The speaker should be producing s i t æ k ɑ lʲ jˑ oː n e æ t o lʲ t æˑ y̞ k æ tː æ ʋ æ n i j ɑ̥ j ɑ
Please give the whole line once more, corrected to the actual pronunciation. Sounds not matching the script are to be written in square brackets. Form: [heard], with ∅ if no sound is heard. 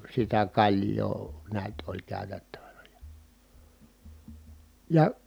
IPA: s i t æ k ɑ lʲ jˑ oː n e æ t o lʲ [k] æˑ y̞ [t] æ tː æ ʋ æ n [æ] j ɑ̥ j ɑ